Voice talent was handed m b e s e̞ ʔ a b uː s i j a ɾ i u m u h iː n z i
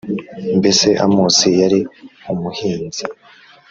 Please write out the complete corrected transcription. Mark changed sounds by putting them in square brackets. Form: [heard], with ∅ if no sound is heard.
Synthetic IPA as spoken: m b e s e̞ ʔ a [m] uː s i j a ɾ i u m u h iː n z i

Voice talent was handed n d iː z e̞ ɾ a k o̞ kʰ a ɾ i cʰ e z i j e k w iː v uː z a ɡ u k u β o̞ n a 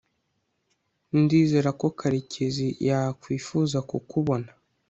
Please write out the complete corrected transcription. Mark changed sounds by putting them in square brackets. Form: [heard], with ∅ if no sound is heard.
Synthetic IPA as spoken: n d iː z e̞ ɾ a k o̞ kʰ a ɾ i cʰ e z i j [a] k w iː [f] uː z a [k] u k u β o̞ n a

